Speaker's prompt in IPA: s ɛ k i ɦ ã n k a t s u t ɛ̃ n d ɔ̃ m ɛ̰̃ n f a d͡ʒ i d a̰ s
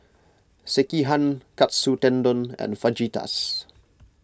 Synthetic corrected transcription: s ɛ k i ɦ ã n k a t s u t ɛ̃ n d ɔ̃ n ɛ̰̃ n f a d͡ʒ i t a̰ s